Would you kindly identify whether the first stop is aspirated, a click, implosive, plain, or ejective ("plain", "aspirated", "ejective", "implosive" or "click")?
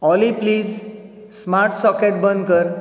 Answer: plain